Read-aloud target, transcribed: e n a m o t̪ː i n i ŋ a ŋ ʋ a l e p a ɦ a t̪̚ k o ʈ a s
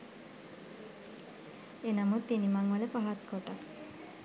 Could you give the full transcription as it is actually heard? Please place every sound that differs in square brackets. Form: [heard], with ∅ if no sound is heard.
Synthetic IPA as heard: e n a m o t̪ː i n i [m] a ŋ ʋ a l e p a ɦ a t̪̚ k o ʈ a s

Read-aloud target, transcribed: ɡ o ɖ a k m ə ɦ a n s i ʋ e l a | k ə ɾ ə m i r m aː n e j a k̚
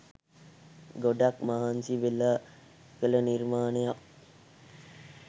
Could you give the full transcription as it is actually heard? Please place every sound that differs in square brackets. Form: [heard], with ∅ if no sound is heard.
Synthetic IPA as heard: ɡ o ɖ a k m [a] ɦ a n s i ʋ e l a | k ə [l] ə [n] i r m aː n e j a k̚

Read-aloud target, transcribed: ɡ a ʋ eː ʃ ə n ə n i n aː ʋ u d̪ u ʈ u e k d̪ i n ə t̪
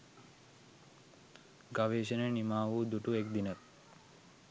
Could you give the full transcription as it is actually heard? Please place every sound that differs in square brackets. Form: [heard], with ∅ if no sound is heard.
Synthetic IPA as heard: ɡ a ʋ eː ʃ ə n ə n i [m] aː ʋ u d̪ u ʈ u e k d̪ i n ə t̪

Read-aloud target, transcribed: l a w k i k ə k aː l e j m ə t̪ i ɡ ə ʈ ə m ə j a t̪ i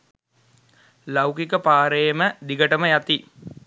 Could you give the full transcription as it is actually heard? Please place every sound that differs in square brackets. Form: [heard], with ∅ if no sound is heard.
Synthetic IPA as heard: l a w k i k ə [p] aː [ɾ] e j m ə [d̪] i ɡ ə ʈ ə m ə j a t̪ i

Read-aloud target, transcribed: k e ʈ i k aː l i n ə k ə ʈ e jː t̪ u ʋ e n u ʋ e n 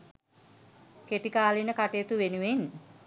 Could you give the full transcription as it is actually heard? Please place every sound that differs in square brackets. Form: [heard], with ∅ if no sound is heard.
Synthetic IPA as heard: k e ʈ i k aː l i n ə k [a] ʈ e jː t̪ u ʋ e n u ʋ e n

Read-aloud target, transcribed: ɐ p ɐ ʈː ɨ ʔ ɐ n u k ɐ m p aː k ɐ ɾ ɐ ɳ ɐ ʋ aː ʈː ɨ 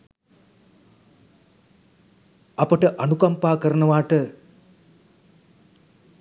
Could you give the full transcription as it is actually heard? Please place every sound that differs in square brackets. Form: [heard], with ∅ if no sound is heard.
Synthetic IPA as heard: ɐ p ɐ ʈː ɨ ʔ ɐ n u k ɐ m p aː k ɐ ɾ ɐ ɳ ɐ ʋ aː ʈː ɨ

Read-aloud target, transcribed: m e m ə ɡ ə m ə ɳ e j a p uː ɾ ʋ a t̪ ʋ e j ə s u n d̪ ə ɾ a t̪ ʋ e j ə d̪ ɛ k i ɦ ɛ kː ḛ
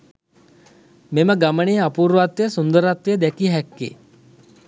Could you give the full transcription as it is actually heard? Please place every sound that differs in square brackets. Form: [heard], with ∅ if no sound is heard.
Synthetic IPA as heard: m e m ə ɡ [a] m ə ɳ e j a p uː ɾ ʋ a t̪ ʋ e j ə s u n d̪ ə ɾ a t̪ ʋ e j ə d̪ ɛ k i ɦ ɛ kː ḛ

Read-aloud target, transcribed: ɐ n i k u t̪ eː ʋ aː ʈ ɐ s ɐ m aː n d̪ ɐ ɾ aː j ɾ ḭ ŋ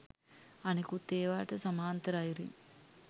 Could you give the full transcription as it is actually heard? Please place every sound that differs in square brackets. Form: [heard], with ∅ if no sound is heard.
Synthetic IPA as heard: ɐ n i k u t̪ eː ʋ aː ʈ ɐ s ɐ m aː n [t̪] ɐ ɾ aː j ɾ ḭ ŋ

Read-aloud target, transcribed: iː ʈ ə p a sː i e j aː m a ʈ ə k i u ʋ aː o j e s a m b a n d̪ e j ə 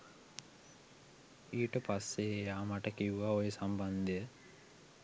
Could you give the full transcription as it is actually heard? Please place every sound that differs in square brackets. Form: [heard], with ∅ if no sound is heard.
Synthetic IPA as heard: iː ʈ ə p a sː [e] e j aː m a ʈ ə k i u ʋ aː o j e s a m b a n d̪ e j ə

